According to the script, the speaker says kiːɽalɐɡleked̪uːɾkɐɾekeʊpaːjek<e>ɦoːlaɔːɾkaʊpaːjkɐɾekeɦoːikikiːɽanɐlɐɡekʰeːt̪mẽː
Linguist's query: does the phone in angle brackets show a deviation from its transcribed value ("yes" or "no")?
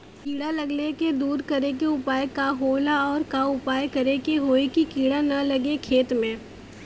yes